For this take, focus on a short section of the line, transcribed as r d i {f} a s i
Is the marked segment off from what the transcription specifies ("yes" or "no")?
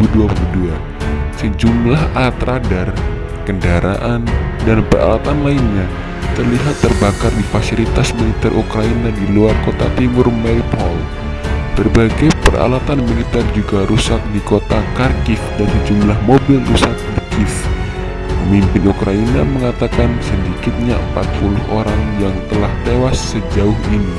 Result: no